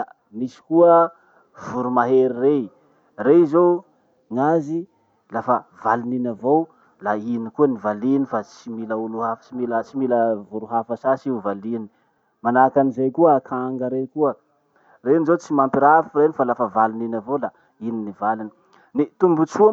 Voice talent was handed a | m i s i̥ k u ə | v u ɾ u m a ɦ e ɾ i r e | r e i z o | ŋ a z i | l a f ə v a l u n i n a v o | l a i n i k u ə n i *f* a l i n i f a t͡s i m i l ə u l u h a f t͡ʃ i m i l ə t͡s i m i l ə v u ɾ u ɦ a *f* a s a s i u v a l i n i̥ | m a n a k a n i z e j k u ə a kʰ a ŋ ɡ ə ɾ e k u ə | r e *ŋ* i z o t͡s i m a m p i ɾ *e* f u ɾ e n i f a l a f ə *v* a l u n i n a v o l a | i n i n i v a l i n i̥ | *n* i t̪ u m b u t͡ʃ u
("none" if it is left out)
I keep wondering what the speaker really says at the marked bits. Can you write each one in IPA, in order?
v, f, n, a, v, n

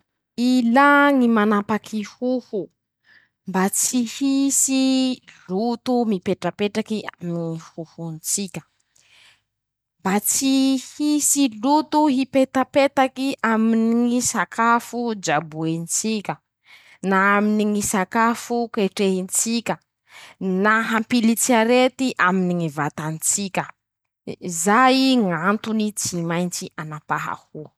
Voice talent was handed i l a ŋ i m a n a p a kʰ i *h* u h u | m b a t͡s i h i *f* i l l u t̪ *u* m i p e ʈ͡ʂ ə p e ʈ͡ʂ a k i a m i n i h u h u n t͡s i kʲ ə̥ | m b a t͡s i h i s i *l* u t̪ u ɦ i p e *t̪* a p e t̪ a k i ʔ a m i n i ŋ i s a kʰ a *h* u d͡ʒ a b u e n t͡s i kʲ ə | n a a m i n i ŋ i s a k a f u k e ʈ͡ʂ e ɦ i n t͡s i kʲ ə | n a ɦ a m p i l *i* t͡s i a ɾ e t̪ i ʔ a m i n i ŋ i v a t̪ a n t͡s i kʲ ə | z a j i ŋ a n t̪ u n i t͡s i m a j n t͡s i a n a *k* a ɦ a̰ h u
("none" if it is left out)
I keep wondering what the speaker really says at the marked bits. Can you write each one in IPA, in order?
h, s, u, l, t̪, f, i, p

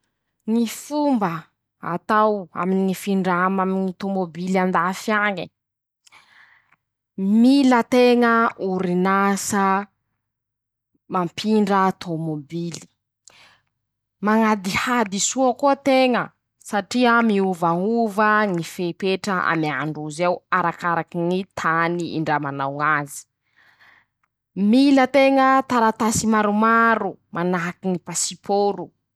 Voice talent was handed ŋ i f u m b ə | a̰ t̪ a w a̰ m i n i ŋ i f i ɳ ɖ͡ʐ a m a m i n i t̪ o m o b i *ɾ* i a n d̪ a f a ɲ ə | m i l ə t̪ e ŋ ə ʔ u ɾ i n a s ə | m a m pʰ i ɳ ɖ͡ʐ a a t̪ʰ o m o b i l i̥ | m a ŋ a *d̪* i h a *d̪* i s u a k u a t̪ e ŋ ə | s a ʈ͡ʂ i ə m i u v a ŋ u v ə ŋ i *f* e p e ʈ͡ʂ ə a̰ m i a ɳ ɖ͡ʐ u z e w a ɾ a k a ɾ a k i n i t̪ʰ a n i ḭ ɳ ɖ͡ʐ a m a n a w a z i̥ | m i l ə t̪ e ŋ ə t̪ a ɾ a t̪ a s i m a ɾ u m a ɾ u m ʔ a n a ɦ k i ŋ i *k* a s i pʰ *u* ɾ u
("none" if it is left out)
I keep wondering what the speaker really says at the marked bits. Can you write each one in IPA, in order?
l, d̪, d̪, f, p, o

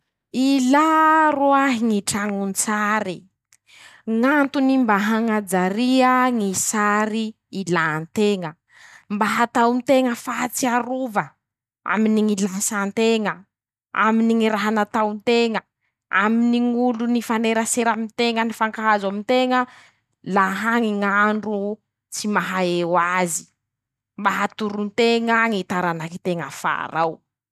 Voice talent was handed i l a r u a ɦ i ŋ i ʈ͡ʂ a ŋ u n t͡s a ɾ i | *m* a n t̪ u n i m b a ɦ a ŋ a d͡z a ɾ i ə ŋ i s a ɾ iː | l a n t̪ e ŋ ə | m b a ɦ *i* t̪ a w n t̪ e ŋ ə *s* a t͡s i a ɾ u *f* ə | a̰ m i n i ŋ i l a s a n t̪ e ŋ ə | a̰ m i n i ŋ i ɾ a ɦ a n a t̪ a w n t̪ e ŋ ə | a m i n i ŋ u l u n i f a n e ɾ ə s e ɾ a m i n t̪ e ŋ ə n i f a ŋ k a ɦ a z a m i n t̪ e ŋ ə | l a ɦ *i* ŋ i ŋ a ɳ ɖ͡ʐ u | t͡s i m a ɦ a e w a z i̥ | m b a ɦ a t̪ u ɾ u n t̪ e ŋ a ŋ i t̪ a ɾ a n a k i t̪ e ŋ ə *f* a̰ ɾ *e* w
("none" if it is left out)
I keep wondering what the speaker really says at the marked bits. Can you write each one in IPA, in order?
ŋ, a, f, v, a, f, a

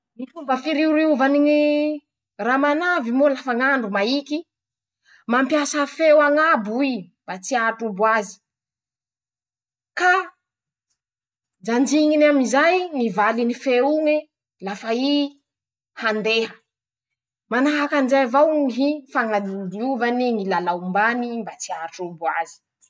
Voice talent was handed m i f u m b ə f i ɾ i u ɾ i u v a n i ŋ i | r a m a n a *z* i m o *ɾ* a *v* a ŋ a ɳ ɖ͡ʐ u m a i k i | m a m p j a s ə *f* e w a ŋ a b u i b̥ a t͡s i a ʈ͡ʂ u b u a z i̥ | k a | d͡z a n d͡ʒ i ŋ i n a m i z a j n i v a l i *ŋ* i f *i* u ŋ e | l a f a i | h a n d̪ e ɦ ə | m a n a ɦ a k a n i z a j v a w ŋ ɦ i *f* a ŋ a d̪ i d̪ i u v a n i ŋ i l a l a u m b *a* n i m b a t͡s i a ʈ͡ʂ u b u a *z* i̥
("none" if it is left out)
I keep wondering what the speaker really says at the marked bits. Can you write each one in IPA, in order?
v, l, f, f, n, e, f, a, z

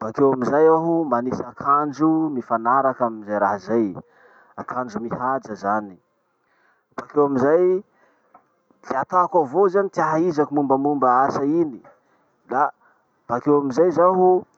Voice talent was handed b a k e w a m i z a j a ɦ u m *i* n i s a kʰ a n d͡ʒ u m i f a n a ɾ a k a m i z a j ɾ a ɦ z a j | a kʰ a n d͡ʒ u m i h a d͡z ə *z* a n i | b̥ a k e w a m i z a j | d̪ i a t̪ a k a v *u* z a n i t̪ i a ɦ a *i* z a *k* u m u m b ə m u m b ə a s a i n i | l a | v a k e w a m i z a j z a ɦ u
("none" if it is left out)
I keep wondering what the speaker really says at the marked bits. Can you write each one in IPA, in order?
a, z, o, i, k

